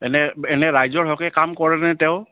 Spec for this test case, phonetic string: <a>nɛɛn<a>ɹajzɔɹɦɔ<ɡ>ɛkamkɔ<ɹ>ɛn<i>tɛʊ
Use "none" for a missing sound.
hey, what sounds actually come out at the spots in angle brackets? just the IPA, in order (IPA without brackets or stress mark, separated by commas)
ɛ, ɛ, k, ɹ, ɛ